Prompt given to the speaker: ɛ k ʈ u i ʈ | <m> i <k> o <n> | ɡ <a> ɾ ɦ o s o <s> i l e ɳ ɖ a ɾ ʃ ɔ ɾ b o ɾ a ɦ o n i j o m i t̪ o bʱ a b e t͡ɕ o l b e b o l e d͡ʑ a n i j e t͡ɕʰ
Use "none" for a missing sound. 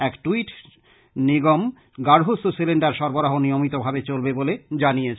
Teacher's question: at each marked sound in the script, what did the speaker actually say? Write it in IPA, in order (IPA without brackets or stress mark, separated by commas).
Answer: n, ɡ, m, a, s